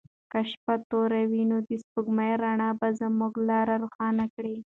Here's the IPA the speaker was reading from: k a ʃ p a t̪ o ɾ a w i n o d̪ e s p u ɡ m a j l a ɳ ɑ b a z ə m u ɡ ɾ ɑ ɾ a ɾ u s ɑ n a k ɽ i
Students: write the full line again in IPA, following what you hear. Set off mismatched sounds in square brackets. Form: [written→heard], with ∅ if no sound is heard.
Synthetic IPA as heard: k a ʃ p a t̪ o ɾ a w i n o d̪ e s p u ɡ m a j [l→ɾ] a ɳ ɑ b a z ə m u ɡ [ɾ→l] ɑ ɾ a ɾ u [s→x] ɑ n a k ɽ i